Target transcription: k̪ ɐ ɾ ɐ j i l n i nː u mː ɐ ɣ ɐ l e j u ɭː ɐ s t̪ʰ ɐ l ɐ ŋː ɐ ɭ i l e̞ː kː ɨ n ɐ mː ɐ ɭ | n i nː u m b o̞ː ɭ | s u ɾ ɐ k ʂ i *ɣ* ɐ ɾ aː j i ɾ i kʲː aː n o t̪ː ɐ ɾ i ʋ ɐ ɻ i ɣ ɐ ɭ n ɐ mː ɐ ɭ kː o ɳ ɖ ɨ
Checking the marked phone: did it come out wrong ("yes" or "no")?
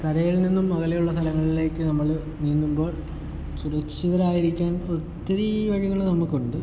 yes